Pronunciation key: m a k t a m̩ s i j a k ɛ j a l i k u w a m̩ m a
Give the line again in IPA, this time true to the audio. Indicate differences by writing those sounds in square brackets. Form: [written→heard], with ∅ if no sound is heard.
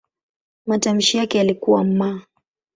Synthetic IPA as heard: m a [k→∅] t a m̩ [s→ʃ] i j a k ɛ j a l i k u w a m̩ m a